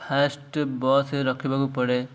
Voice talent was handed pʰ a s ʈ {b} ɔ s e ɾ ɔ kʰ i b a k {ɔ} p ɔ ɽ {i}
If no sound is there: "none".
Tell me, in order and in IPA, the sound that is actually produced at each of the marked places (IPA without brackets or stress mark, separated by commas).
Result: b, u, e